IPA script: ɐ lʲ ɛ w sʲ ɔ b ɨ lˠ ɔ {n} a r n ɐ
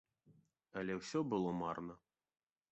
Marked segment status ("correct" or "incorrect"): incorrect